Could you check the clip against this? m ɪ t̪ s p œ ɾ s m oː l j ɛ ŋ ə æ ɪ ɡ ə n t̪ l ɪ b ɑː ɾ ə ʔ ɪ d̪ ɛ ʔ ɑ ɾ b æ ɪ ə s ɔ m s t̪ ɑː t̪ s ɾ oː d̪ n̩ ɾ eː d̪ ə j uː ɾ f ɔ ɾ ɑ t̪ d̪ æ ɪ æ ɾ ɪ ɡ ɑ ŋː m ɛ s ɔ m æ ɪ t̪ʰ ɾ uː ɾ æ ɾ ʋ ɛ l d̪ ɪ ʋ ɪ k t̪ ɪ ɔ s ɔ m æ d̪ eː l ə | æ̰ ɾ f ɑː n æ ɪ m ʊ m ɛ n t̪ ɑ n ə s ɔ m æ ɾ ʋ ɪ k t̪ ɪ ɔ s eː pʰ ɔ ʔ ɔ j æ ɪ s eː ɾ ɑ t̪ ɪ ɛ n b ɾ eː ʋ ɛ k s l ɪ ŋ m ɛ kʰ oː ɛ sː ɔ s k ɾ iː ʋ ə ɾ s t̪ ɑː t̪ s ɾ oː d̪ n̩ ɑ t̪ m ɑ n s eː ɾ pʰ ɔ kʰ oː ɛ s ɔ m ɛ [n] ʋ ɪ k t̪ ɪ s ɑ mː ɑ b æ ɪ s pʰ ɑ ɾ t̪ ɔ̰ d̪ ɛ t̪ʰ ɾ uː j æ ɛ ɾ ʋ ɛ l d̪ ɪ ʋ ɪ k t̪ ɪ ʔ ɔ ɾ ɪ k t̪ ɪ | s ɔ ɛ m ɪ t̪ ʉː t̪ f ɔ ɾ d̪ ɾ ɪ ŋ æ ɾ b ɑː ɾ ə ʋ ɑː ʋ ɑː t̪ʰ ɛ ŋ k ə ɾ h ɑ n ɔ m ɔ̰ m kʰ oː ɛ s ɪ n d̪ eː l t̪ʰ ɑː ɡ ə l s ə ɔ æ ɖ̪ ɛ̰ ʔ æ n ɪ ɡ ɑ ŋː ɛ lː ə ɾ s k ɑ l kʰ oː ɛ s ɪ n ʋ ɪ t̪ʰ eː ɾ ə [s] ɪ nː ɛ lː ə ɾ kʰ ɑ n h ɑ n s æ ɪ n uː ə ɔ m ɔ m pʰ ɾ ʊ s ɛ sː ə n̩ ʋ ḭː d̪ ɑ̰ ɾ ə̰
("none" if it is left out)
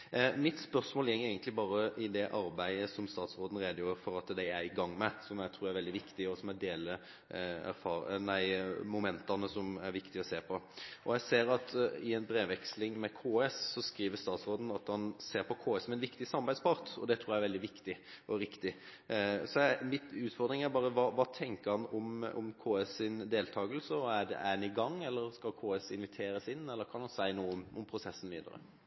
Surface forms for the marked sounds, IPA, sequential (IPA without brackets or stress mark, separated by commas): n, s